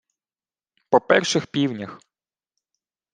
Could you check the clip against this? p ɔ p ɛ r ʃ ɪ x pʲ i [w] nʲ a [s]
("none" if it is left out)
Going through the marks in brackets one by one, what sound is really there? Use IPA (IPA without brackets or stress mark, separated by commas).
w, x